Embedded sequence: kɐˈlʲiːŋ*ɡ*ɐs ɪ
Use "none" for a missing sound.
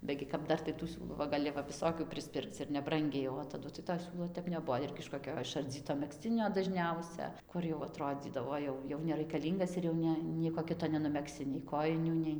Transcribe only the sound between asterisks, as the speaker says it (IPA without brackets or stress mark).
ɡ